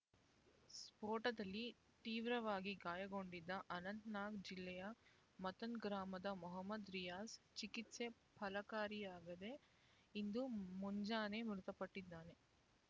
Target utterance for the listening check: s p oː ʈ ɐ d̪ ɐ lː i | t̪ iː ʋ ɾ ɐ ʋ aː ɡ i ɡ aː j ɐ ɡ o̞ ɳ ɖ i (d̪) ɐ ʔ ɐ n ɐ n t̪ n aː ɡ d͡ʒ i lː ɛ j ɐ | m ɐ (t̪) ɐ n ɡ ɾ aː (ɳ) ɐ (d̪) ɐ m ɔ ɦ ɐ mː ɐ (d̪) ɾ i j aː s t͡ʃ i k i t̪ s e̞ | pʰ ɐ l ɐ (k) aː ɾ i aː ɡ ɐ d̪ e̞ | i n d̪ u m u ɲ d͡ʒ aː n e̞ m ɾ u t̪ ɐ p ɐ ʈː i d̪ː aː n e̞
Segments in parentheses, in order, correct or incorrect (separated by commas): incorrect, correct, incorrect, correct, correct, correct